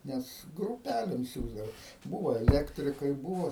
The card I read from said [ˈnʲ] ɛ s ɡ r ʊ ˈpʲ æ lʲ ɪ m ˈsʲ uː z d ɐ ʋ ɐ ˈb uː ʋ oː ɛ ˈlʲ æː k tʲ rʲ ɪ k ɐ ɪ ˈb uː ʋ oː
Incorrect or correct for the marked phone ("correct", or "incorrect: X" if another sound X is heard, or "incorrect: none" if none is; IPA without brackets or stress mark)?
correct